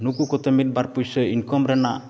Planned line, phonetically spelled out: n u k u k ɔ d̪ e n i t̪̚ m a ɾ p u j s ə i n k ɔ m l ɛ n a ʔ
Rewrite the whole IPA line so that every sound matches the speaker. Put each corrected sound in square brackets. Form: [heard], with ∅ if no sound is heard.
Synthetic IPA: n u k u k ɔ [t̪] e [m] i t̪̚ [b] a ɾ p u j s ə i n k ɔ m [ɾ] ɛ n a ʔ